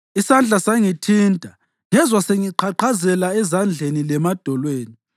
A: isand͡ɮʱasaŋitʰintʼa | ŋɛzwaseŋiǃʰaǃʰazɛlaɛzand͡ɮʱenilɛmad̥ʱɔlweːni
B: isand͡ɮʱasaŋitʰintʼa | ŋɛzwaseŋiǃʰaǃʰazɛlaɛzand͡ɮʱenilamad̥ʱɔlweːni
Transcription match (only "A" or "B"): A